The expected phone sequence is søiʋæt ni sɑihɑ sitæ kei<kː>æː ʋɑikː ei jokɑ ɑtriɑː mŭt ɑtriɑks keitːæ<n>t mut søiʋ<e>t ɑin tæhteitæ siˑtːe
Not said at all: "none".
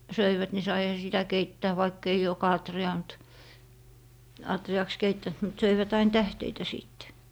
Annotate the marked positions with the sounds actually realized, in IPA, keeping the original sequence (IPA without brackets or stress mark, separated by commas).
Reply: tː, n, æ